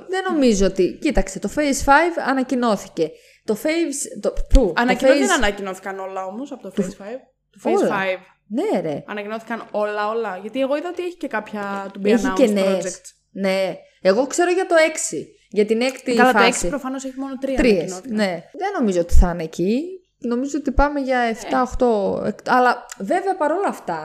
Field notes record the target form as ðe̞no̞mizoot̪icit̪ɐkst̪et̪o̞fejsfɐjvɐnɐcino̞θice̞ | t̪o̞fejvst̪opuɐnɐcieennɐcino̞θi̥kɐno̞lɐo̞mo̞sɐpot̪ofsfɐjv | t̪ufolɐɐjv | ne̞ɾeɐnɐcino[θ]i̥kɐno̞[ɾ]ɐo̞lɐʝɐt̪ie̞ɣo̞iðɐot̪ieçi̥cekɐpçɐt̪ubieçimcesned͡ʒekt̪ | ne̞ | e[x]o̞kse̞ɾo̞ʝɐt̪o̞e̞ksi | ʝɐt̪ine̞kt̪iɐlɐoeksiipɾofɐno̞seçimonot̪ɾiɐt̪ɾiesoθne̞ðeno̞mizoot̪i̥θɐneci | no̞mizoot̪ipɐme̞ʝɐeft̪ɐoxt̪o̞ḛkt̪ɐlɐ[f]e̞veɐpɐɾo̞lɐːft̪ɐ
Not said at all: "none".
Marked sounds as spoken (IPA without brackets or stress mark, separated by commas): θ, l, ɣ, v